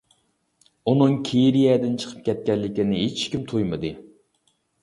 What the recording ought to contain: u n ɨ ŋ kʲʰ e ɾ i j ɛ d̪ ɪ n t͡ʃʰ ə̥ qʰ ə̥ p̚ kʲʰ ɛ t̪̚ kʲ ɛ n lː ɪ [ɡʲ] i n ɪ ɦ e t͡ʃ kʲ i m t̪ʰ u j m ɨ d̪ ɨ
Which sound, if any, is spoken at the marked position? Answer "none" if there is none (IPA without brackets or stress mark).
kʲ